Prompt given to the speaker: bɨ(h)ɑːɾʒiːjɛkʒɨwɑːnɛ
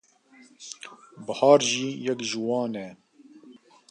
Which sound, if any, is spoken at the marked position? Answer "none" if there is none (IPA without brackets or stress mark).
h